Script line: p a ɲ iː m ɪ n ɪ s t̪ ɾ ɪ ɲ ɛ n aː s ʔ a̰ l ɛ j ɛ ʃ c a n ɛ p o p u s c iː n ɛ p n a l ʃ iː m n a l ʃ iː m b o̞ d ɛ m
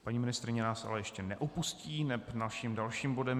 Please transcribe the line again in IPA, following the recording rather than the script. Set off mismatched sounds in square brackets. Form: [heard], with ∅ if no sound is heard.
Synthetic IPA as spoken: p a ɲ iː m ɪ n ɪ s t̪ ɾ ɪ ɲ ɛ n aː s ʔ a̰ l ɛ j ɛ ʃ c [ɛ] n ɛ [ʔ] o p u s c iː n ɛ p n a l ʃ iː m [d] a l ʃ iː m b o̞ d ɛ m

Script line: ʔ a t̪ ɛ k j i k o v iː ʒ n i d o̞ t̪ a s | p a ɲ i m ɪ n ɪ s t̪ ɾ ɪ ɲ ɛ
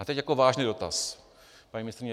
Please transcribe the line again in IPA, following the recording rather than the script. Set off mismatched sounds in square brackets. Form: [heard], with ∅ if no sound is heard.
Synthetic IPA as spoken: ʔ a t̪ ɛ [c] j [a] k o v [aː] ʒ n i d o̞ t̪ a s | p a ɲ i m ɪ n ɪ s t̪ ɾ ɪ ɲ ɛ

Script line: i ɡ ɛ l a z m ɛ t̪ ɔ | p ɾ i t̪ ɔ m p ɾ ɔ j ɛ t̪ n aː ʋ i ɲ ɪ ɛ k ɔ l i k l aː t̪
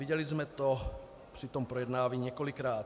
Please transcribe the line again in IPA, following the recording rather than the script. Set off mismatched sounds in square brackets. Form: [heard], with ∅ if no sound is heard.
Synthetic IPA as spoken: i [ɟ] ɛ l [i] z m ɛ t̪ ɔ | p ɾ i t̪ ɔ m p ɾ ɔ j ɛ [d̪] n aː ʋ i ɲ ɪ ɛ k ɔ l i k [ɾ] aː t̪

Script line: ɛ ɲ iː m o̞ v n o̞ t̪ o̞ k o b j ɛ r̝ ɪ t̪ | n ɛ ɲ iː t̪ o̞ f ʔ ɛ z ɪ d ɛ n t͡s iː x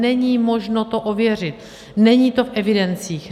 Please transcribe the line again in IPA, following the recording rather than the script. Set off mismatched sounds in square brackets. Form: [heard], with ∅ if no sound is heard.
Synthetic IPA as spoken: ɛ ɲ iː m o̞ [ʒ] n o̞ t̪ o̞ [ʔ] o [v] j ɛ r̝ ɪ t̪ | n ɛ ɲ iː t̪ o̞ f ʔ ɛ [v] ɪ d ɛ n t͡s iː x

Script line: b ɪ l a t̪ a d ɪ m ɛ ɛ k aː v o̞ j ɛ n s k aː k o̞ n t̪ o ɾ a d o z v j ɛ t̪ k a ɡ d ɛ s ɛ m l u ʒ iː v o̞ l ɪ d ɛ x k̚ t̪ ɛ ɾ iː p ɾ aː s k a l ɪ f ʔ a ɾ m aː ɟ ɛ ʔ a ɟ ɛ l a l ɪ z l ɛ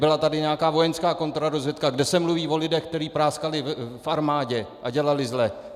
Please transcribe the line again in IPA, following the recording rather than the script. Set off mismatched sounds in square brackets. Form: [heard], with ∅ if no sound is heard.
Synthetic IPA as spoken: b ɪ l a t̪ a d ɪ [ɲ] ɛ [a] k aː v o̞ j ɛ n s k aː k o̞ n t̪ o ɾ a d o z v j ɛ t̪ k a ɡ d ɛ s ɛ m l u [v] iː v o̞ l ɪ d ɛ x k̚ t̪ ɛ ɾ iː p ɾ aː s k a l ɪ f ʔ a ɾ m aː ɟ ɛ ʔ a ɟ ɛ l a l ɪ z l ɛ

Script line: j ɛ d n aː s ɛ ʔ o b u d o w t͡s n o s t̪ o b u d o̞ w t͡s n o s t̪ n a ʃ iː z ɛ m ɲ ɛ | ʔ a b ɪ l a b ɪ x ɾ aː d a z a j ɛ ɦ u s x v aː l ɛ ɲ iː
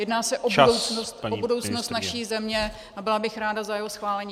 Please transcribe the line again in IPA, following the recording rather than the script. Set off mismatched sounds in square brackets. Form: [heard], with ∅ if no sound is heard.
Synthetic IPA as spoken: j ɛ d n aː s ɛ ʔ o b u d o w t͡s n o s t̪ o b u d o̞ w t͡s n o s t̪ n a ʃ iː z ɛ m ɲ ɛ | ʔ a b ɪ l a b ɪ x ɾ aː d a z a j ɛ ɦ [o] s x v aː l ɛ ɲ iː

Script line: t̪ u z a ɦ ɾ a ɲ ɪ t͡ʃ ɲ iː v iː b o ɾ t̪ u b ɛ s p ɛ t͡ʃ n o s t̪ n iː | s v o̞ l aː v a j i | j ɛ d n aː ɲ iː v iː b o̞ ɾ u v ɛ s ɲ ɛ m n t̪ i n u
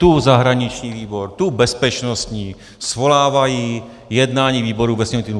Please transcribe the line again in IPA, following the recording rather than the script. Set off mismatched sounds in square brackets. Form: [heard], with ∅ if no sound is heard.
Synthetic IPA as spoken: t̪ u z a ɦ ɾ a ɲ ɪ t͡ʃ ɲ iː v iː b o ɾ t̪ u b ɛ s p ɛ t͡ʃ n o s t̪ [ɲ] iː | s v o̞ l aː v a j i | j ɛ d n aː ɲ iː v iː b o̞ ɾ u v ɛ s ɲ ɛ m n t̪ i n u

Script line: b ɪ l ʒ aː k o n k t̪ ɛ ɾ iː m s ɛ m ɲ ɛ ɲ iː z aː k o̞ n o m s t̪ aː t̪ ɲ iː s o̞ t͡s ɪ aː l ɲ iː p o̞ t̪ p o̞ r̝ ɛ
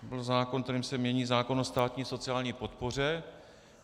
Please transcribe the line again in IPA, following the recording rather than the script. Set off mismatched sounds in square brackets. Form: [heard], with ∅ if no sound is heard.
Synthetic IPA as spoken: b ɪ l [z] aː k o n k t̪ ɛ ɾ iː m s ɛ m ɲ ɛ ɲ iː z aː k o̞ n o [∅] s t̪ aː t̪ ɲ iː s o̞ t͡s ɪ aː l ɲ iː p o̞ t̪ p o̞ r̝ ɛ

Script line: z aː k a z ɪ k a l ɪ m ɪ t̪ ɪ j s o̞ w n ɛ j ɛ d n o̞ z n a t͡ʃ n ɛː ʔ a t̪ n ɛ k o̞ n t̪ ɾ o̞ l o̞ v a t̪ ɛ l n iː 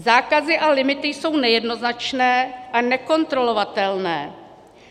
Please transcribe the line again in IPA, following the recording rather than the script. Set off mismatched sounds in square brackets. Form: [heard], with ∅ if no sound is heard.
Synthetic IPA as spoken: z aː k a z ɪ [ʔ] a l ɪ m ɪ t̪ ɪ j s o̞ w n ɛ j ɛ d n o̞ z n a t͡ʃ n ɛː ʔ a [∅] n ɛ k o̞ n t̪ ɾ o̞ l o̞ v a t̪ ɛ l n [ɛː]

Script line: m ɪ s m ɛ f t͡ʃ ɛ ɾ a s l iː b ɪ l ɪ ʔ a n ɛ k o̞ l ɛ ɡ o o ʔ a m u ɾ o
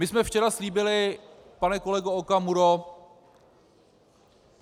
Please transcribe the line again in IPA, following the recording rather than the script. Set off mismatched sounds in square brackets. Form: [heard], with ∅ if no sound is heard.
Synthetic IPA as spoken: m ɪ s m ɛ f t͡ʃ ɛ ɾ a s l iː b ɪ l ɪ [p] a n ɛ k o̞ l ɛ ɡ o o [k] a m u ɾ o

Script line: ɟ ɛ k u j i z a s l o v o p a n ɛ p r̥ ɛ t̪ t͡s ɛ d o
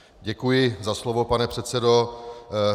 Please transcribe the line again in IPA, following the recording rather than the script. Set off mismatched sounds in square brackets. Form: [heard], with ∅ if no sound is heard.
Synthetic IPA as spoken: ɟ ɛ k u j [ɪ] z a s l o v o p a n ɛ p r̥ ɛ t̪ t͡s ɛ d o

